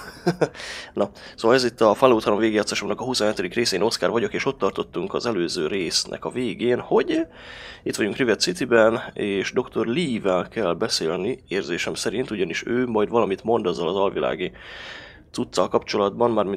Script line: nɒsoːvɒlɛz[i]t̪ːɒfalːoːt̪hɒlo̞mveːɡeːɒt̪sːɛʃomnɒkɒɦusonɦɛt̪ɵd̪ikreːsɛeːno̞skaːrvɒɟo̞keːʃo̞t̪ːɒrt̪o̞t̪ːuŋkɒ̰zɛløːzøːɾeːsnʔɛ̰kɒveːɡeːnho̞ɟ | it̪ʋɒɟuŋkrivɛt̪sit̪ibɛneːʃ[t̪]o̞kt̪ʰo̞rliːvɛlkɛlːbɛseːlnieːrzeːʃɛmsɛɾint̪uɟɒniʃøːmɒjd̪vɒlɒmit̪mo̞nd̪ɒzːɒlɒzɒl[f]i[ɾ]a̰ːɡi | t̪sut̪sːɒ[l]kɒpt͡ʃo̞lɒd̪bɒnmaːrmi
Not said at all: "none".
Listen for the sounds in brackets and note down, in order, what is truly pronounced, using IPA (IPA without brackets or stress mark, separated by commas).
i, d̪, v, l, l